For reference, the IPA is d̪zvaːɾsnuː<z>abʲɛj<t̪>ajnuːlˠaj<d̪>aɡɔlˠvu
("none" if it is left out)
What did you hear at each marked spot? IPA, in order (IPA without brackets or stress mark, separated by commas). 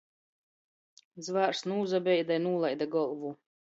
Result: z, d̪, d̪